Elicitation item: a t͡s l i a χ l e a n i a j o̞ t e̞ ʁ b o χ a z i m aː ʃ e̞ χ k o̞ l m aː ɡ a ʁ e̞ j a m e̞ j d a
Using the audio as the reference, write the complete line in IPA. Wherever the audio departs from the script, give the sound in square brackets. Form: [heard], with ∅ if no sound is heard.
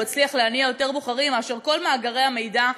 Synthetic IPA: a t͡s l i a χ l e a n i a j o̞ t e̞ ʁ b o χ a [ʁ] i m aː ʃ e̞ [ʁ] k o̞ l m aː ɡ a ʁ e̞ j a m e̞ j d a

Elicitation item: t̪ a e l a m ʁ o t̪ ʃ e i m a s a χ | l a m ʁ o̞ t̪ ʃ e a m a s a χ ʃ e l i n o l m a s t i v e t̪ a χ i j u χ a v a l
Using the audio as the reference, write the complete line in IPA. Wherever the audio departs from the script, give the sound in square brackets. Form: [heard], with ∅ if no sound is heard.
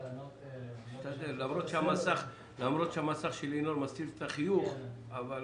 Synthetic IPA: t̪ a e l a m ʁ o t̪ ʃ e [a] m a s a χ | l a m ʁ o̞ t̪ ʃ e a m a s a χ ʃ e l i n o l m a s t i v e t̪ a χ i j u χ a v a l

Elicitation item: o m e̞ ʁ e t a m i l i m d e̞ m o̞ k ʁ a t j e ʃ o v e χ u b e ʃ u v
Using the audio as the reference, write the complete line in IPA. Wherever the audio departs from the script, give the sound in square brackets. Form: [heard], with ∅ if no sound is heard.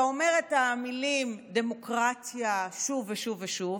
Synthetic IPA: o m e̞ ʁ e t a m i l i m d e̞ m o̞ k ʁ a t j [a] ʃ [u] v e [ʃ] u [v] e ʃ u v

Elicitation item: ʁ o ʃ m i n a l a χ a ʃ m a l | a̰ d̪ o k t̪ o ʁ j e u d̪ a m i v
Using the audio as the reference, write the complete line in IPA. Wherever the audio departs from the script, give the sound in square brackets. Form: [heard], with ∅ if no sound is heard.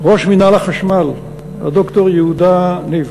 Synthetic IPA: ʁ o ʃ m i n a l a χ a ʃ m a l | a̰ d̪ o k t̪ o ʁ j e u d̪ a [n] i v

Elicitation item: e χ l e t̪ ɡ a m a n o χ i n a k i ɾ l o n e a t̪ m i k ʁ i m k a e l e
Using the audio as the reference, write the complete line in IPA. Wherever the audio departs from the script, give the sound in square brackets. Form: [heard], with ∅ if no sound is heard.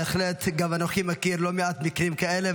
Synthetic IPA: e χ l e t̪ ɡ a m a n o χ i [m] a k i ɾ l o [m] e a t̪ m i k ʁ i m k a e l e

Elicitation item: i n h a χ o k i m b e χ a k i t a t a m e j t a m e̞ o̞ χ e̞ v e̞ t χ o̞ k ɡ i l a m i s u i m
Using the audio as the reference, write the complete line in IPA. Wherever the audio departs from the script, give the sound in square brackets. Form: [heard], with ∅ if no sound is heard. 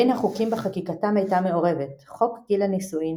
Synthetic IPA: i n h a χ [u] k i m b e χ a k i [k] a t a m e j t a m e̞ o̞ [ʁ] e̞ v e̞ t χ o̞ k ɡ i l a [n] i s u i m

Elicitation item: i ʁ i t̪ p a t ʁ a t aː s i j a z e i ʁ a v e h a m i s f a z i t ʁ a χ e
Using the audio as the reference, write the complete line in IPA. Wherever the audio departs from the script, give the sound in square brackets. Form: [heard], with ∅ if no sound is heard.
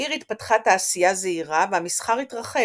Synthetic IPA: i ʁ i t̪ p a t [χ] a t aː s i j a z e i ʁ a v e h a m i s [χ] a [ʁ] i t ʁ a χ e

